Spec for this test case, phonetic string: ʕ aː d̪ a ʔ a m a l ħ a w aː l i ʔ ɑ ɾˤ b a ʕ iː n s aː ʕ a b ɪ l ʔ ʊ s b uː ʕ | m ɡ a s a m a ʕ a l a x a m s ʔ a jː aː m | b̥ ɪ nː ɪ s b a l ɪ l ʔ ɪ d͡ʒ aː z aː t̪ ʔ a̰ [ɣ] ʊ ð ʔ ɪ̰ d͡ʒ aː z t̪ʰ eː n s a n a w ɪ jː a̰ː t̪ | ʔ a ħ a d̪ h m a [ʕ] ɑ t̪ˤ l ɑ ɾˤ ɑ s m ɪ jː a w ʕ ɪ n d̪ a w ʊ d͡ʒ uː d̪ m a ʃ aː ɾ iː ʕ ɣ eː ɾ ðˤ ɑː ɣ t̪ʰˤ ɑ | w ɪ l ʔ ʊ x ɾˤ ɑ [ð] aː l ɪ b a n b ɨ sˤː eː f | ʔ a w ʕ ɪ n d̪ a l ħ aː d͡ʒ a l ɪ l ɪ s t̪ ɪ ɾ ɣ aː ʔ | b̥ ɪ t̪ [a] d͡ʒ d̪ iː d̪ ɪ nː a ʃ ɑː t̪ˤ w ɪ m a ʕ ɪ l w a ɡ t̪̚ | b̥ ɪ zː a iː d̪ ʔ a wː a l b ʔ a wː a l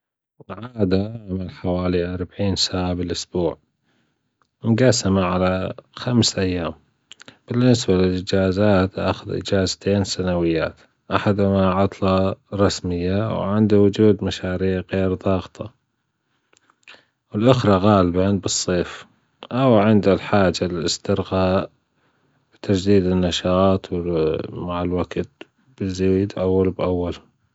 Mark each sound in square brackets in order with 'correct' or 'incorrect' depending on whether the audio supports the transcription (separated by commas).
incorrect, correct, incorrect, correct